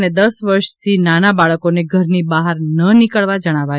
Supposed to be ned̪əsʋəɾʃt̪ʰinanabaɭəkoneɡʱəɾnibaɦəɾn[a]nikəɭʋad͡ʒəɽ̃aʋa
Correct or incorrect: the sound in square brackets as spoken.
incorrect: ə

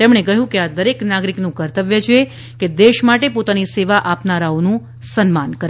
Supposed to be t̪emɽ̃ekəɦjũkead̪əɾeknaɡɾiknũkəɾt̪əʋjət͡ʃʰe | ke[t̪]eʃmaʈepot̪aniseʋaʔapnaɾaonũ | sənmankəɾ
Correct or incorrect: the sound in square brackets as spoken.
incorrect: d̪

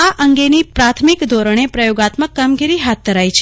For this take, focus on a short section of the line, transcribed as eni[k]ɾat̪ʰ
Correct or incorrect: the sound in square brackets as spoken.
incorrect: p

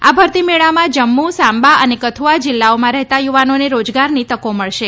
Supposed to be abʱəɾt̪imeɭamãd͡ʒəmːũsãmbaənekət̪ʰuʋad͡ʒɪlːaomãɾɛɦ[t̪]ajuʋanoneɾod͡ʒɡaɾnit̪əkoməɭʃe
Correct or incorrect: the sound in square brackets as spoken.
correct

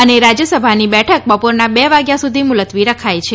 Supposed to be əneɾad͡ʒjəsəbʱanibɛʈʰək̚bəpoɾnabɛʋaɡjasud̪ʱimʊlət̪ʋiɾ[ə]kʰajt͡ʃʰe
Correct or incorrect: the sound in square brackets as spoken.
correct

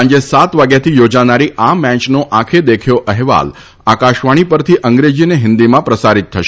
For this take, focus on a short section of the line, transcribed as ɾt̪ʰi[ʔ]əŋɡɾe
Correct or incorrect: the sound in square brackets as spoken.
correct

